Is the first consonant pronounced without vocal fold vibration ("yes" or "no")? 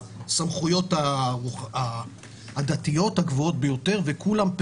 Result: yes